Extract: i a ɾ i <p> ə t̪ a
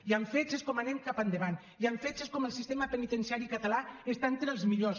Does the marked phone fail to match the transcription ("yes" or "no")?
yes